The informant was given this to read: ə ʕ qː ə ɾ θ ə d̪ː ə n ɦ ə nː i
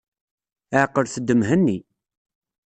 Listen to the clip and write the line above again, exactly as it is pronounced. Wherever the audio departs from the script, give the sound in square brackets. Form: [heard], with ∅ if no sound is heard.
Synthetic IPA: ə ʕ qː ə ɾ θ ə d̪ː ə [m] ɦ ə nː i

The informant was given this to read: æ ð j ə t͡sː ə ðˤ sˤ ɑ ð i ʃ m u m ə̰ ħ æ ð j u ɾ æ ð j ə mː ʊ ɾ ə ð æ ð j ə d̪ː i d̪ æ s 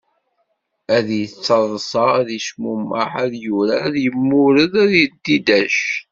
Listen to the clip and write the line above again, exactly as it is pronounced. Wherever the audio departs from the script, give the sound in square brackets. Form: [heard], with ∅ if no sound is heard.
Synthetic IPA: æ ð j ə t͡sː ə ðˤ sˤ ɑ ð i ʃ m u m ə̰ ħ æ ð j u ɾ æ ð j ə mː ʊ ɾ ə ð æ ð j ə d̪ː i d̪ æ [ʃ]

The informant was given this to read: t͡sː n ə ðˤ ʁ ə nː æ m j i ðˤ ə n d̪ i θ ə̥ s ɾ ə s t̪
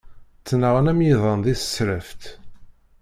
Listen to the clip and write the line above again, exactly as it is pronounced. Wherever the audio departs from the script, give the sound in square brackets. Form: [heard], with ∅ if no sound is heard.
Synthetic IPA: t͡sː n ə [∅] ʁ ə [n] æ m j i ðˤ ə n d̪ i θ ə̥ s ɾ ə [f] t̪

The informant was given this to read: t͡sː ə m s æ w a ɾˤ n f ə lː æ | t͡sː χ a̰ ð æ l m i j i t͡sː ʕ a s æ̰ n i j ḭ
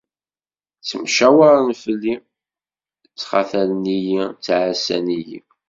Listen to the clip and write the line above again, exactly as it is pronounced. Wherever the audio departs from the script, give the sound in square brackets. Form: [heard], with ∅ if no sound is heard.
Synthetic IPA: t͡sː ə m [ʃ] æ w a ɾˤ n f ə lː [i] | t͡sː χ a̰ [θ] æ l [n] i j i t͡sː ʕ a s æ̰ n i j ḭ

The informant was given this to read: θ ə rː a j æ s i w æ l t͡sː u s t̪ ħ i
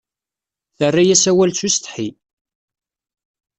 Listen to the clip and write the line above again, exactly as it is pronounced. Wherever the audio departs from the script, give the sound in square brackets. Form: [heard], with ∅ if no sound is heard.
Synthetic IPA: θ ə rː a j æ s [æ] w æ l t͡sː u s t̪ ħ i

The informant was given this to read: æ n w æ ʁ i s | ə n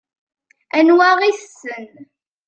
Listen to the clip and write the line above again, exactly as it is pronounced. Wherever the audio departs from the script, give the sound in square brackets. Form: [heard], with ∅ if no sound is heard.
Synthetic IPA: æ n w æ ʁ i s | ə n

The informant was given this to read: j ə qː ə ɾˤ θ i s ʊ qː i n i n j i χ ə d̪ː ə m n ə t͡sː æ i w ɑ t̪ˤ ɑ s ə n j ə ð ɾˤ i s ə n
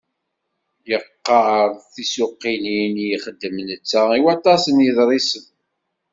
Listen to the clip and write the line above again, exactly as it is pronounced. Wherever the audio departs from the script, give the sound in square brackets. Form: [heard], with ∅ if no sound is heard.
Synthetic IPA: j ə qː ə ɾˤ θ i s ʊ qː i n i n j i χ ə d̪ː ə m n ə t͡sː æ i w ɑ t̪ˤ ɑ s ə n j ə ð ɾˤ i s ə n

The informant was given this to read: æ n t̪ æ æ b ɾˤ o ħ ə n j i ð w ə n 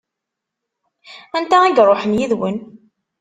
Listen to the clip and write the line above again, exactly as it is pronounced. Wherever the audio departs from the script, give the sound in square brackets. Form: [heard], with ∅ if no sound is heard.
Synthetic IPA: æ n t̪ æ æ [ɡ] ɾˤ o ħ ə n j i ð w ə n

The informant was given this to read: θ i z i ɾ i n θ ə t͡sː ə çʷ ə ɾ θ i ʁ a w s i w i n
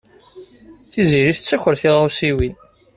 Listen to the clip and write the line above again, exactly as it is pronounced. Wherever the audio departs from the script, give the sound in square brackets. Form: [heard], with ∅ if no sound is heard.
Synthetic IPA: θ i z i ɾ i [∅] θ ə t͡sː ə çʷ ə ɾ θ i ʁ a w s i w i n

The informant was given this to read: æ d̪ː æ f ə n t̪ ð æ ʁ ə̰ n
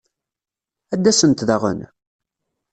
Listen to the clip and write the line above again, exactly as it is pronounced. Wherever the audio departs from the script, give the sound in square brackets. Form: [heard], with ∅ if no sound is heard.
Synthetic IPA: æ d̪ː æ [s] ə n t̪ ð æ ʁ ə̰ n

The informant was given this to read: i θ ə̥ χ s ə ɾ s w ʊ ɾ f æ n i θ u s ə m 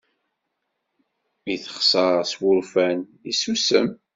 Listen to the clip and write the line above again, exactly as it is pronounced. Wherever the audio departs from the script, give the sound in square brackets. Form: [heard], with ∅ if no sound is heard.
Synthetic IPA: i θ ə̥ χ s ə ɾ s w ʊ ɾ f æ n i [s] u s ə m

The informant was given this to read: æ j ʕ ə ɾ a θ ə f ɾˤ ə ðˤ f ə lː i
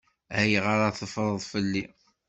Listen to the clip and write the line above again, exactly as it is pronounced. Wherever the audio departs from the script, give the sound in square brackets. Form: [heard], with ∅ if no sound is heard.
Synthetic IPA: æ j [ʁ] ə ɾ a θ ə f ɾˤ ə ðˤ f ə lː i

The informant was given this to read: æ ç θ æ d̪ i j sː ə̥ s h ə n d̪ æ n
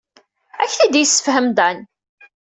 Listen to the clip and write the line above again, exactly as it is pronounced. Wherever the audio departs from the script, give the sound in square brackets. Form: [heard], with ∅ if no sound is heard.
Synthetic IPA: æ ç θ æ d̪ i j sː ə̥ [f] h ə [m] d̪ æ n

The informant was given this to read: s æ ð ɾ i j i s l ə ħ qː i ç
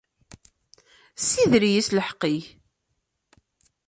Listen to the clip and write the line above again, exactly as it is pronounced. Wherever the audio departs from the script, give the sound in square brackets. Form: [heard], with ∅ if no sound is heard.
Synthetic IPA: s [i] ð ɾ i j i s l ə ħ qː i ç

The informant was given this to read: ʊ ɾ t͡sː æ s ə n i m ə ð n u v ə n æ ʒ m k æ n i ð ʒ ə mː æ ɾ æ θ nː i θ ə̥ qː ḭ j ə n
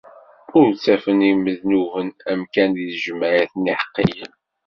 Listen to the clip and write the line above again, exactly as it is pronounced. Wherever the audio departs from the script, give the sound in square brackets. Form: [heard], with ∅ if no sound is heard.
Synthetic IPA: ʊ ɾ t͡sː æ [f] ə n i m ə ð n u v ə n æ [∅] m k æ n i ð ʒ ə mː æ ɾ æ θ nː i [ħ] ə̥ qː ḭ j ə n

